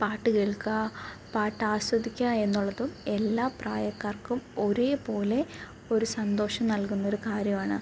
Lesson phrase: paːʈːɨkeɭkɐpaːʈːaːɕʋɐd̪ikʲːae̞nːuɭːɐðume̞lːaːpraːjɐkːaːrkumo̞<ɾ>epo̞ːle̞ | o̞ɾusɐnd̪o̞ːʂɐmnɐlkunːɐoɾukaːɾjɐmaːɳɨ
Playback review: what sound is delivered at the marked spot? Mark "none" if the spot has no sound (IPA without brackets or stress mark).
ɾ